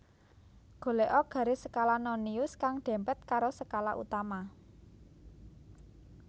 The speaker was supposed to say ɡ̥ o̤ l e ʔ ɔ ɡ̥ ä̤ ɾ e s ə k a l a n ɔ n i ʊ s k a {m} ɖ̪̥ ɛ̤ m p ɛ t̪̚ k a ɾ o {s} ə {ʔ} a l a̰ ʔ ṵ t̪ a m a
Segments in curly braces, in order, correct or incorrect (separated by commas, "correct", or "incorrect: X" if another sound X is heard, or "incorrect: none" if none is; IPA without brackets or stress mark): incorrect: ŋ, correct, incorrect: k